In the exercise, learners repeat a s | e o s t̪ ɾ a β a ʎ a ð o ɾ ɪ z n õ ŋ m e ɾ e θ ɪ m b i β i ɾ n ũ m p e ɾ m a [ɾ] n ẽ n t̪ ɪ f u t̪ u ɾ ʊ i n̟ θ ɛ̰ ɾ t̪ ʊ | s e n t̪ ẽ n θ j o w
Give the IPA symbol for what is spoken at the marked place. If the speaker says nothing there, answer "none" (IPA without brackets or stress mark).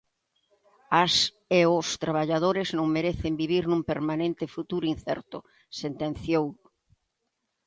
none